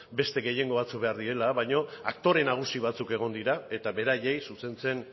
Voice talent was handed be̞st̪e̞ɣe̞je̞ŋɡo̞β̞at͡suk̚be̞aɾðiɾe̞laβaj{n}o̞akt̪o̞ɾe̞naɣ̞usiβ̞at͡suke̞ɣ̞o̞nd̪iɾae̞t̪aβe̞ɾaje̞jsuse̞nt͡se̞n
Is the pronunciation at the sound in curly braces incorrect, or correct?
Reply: incorrect